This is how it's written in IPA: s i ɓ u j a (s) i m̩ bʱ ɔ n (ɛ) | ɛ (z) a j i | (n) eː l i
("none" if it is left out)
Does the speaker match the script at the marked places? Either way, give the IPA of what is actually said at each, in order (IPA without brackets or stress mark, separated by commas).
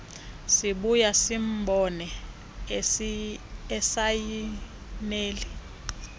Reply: s, ɛ, s, n